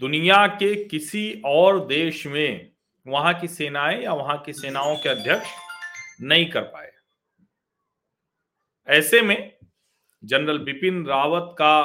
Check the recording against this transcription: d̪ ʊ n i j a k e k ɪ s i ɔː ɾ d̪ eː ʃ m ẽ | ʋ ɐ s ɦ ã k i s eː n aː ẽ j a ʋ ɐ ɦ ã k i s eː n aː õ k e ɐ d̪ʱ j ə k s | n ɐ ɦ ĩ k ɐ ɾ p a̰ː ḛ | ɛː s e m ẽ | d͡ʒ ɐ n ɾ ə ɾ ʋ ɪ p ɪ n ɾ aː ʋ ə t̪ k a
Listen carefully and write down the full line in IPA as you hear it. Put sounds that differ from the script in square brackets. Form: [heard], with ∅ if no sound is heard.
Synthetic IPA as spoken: d̪ ʊ n i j a k e k ɪ s i ɔː ɾ d̪ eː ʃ m ẽ | ʋ ɐ [∅] ɦ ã k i s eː n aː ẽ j a ʋ ɐ ɦ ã k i s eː n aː õ k e ɐ d̪ʱ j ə k [ʃ] | n ɐ ɦ ĩ k ɐ ɾ p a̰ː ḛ | ɛː s e m ẽ | d͡ʒ ɐ n ɾ ə [l] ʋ ɪ p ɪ n ɾ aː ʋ ə t̪ k a